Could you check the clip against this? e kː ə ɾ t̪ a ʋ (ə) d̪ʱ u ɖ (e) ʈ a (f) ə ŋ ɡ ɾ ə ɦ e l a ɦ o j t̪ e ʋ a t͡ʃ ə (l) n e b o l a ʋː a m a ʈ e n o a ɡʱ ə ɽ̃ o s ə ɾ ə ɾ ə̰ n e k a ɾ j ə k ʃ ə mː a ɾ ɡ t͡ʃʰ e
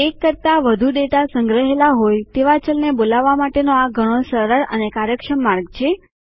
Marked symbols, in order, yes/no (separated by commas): yes, yes, no, yes